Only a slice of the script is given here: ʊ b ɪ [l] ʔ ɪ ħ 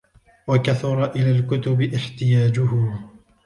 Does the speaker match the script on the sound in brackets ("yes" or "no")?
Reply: no